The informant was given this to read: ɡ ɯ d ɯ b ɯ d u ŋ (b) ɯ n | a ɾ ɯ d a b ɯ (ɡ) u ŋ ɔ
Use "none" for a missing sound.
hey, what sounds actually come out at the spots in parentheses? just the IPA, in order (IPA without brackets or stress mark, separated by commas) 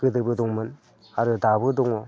m, d